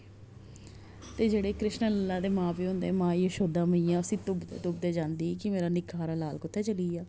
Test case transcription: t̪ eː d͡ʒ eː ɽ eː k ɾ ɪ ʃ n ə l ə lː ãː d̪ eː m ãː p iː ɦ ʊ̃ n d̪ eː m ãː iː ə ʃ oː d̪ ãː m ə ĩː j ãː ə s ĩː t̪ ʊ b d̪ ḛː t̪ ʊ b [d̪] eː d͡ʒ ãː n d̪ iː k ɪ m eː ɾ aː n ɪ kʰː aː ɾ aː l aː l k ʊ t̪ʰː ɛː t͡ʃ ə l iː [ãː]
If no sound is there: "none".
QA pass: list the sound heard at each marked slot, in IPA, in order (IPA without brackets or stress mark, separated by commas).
d̪, aː